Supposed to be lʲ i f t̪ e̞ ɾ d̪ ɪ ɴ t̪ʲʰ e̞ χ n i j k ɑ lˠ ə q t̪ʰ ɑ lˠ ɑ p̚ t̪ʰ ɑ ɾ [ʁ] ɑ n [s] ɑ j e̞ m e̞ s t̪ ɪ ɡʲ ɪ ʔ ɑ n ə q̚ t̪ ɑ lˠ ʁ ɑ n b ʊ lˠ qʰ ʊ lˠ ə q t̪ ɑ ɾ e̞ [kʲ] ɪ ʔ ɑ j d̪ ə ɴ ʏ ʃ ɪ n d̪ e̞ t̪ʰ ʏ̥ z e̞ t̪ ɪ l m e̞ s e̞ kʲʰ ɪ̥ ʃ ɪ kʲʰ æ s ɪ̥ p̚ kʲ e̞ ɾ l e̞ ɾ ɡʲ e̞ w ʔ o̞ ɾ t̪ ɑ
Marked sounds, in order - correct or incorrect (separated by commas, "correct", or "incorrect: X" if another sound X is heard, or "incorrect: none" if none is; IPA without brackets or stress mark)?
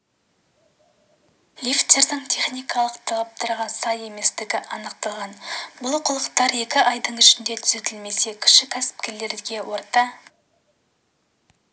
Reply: correct, correct, correct